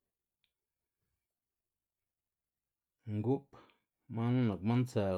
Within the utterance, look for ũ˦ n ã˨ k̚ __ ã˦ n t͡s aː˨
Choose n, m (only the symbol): m